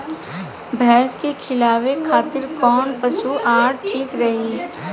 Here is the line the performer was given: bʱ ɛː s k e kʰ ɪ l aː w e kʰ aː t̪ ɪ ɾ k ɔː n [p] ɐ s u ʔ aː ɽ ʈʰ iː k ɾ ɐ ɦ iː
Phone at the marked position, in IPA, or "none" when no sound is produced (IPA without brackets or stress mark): p